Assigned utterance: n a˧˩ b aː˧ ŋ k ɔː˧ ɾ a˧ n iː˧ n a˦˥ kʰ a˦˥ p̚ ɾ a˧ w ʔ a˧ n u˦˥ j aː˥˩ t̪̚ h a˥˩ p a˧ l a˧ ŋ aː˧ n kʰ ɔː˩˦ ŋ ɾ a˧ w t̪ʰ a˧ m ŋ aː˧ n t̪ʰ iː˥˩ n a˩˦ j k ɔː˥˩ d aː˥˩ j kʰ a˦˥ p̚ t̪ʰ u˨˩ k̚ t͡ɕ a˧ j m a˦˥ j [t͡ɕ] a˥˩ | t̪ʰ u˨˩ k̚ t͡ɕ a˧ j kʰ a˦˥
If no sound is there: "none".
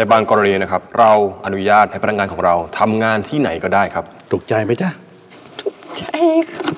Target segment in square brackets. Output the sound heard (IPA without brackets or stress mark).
t͡ɕ